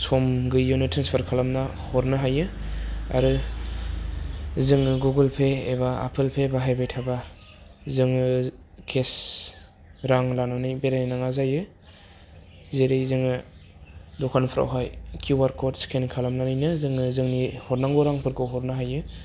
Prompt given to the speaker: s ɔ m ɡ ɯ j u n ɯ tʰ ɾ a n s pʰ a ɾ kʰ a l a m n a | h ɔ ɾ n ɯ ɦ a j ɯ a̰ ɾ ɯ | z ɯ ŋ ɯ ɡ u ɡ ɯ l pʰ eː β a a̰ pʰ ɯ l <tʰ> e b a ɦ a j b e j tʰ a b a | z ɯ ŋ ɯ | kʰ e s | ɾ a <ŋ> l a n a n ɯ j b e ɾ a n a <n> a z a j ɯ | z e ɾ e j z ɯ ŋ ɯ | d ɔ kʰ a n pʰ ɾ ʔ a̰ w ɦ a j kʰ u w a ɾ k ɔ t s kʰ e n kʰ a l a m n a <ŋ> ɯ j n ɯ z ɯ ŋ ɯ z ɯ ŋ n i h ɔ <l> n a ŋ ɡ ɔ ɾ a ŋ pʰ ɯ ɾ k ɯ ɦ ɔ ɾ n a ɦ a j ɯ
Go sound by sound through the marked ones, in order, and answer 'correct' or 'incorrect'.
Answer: incorrect: pʰ, correct, incorrect: ŋ, incorrect: n, incorrect: ɾ

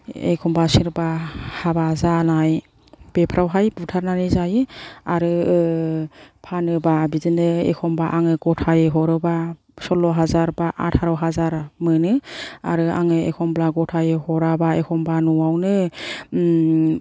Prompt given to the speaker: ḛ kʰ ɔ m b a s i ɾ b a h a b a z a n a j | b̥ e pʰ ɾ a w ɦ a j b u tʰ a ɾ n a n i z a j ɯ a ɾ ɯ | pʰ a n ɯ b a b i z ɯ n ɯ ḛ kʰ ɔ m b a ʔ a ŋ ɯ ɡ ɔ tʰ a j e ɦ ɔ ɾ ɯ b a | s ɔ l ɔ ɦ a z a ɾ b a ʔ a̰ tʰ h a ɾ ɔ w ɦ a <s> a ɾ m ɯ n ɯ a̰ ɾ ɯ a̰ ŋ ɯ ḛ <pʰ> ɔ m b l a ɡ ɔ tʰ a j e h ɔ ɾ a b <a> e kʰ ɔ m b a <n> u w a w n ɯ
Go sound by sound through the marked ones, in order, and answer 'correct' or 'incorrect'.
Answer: incorrect: z, incorrect: kʰ, correct, correct

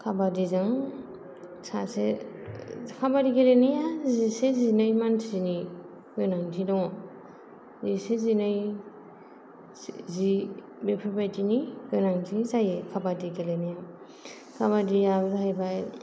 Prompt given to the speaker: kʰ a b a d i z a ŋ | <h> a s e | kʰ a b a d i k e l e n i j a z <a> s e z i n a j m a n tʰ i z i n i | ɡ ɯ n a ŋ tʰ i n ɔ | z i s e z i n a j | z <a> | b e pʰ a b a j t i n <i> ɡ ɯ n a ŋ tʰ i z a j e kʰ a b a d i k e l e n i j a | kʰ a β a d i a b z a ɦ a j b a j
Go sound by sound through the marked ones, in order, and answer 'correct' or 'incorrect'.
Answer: incorrect: s, incorrect: i, incorrect: i, correct

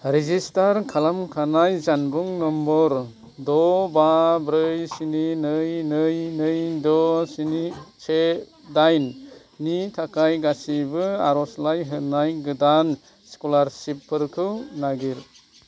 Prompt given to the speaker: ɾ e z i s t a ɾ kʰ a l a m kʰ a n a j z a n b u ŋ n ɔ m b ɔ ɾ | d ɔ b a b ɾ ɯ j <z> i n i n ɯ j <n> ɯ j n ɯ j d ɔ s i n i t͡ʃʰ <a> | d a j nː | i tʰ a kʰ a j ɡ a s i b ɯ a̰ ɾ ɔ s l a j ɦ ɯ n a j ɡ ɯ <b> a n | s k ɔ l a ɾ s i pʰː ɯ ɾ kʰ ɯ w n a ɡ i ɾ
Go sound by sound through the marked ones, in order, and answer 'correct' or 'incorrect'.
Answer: incorrect: s, correct, incorrect: e, incorrect: d

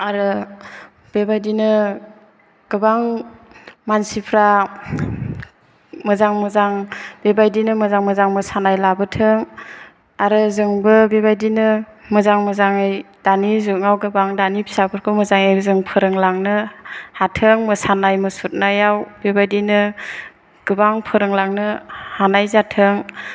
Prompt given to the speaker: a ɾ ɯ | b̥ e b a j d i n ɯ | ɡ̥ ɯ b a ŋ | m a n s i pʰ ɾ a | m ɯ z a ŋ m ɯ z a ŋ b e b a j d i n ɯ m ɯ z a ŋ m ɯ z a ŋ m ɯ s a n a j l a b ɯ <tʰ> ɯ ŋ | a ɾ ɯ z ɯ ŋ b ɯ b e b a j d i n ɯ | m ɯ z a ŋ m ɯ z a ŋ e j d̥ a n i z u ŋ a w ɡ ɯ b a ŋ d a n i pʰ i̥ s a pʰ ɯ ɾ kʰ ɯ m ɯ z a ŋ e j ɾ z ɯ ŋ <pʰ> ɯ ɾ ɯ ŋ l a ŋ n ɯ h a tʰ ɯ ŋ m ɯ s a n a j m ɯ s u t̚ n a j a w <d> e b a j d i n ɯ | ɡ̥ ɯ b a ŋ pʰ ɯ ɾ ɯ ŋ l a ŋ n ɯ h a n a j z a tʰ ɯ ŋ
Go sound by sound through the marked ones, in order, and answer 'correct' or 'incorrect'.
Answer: correct, correct, incorrect: b

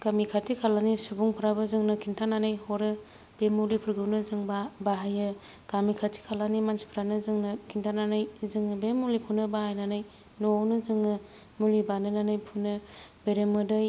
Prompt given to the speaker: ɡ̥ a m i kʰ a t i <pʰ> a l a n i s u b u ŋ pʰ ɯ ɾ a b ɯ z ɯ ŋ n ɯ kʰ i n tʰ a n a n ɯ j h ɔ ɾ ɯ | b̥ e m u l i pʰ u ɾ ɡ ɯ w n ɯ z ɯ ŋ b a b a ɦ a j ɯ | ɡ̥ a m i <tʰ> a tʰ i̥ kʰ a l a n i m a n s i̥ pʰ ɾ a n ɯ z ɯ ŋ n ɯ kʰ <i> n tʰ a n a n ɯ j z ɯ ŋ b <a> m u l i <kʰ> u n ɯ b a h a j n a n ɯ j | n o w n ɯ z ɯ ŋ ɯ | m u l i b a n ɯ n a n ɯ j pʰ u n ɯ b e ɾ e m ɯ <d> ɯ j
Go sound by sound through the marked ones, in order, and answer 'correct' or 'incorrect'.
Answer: incorrect: kʰ, incorrect: kʰ, correct, incorrect: e, incorrect: pʰ, correct

